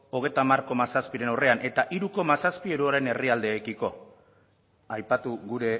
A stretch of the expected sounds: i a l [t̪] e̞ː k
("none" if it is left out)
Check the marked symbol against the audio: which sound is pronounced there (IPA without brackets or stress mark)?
d̪